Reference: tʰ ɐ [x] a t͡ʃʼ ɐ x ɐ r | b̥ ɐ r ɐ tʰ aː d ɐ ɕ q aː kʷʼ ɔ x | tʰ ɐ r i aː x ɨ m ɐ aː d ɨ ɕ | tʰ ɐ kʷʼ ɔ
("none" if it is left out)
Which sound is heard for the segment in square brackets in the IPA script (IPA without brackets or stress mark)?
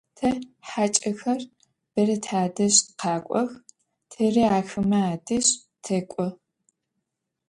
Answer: ħ